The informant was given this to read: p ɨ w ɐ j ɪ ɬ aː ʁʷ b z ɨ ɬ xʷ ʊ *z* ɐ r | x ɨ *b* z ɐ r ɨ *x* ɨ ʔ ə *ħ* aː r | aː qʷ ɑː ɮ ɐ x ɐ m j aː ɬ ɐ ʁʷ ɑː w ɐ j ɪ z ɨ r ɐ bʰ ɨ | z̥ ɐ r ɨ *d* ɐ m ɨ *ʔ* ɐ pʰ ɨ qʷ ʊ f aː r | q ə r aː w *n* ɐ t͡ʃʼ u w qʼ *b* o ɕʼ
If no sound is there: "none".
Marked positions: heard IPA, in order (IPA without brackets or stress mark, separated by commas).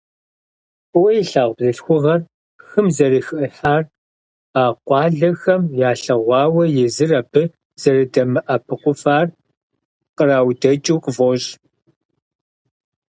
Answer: ʁ, m, x, ħ, d, ʔ, d, v